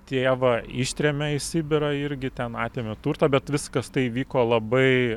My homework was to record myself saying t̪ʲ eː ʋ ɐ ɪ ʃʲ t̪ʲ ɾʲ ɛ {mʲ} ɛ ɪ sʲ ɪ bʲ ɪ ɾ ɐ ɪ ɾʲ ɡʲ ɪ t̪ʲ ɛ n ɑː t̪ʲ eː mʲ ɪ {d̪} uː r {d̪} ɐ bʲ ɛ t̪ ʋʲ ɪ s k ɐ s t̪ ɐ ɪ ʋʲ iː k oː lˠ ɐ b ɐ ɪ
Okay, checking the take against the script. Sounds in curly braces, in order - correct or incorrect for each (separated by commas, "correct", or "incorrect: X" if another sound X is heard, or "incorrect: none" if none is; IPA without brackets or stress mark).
correct, incorrect: t̪, incorrect: t̪